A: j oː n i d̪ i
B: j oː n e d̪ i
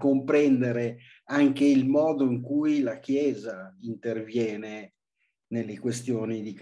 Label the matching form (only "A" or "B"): A